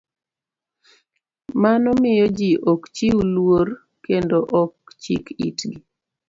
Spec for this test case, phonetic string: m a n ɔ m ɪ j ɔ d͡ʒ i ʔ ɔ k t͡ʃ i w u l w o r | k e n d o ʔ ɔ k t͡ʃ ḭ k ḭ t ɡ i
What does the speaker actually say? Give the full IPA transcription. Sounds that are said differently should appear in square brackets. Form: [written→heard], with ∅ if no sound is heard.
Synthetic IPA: m a n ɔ m ɪ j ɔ d͡ʒ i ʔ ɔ k t͡ʃ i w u l w o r | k e n d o ʔ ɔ k t͡ʃ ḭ k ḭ t ɡ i